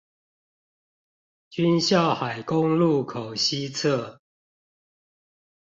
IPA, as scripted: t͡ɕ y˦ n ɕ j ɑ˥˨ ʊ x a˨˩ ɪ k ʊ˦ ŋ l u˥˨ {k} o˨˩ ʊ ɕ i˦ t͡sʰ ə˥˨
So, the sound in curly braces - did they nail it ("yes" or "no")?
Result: no